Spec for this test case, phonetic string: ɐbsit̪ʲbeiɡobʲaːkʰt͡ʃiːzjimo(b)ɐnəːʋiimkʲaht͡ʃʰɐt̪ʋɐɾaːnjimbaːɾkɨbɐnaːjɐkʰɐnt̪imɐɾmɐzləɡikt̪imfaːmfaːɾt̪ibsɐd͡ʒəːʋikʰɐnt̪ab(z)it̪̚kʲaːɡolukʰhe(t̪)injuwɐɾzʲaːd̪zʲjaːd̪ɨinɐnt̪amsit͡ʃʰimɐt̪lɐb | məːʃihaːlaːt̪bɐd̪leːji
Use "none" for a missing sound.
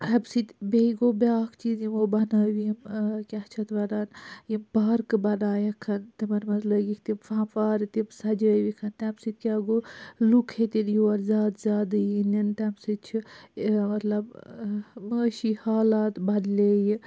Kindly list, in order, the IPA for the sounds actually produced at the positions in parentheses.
b, s, t̪

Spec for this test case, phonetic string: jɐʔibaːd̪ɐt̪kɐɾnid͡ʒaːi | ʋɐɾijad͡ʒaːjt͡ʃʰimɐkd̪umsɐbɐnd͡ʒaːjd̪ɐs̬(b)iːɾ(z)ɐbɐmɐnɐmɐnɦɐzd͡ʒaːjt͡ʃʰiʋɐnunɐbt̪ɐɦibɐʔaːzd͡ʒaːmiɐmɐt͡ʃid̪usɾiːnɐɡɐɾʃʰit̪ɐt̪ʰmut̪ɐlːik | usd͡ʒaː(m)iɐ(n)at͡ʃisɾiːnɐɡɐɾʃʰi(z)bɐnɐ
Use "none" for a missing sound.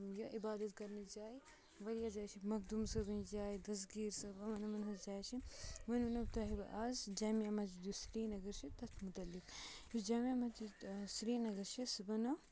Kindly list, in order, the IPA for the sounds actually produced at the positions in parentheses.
ɡ, s, m, m, s

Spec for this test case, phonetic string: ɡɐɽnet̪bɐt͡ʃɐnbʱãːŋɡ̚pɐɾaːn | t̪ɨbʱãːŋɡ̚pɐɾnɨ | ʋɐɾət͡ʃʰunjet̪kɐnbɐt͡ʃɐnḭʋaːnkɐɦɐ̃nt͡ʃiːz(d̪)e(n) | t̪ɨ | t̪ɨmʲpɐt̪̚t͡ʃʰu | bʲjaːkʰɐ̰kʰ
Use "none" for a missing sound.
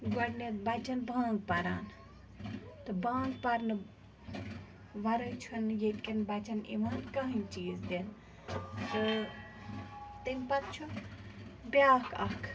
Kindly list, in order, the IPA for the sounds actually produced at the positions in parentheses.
d̪, n

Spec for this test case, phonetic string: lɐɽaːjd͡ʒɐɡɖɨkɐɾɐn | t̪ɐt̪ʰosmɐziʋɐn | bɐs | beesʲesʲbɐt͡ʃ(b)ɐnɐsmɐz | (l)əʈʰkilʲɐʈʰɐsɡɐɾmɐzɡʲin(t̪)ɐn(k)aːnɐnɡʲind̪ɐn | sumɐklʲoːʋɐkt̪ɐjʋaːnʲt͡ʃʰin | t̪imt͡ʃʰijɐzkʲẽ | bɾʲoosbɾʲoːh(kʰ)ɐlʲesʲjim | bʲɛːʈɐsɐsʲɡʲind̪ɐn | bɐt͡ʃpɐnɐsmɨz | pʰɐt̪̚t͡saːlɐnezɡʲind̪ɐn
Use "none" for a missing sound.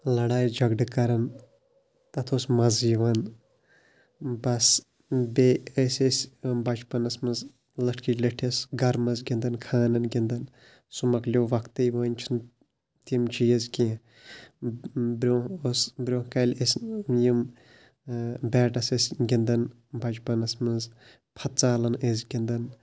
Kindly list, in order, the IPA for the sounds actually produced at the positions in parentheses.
p, l, d̪, kʰ, k

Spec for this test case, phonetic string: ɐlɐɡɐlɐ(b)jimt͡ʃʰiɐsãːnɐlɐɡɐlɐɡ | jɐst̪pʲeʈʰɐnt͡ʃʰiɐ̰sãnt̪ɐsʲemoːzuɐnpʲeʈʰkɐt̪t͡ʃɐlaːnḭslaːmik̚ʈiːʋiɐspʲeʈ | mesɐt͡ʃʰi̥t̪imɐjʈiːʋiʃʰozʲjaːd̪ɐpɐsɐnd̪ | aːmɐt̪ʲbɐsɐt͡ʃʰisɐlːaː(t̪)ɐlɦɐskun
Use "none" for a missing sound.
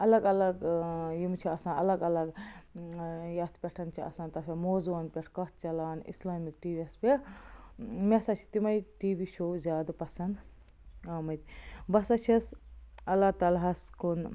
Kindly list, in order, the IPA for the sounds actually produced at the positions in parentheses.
ɡ, t̪

